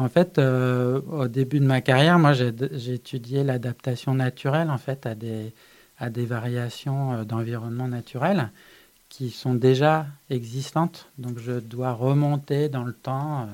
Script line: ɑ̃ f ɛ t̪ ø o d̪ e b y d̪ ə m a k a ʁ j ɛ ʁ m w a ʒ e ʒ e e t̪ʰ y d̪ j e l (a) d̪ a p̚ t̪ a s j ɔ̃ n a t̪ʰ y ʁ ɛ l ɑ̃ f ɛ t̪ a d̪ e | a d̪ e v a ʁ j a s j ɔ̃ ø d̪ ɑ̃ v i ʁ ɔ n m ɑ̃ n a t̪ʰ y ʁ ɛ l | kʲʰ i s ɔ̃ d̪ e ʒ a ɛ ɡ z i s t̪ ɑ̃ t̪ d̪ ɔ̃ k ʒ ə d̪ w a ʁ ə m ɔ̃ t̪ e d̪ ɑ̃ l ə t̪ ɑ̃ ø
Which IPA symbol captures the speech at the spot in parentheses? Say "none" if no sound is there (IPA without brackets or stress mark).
a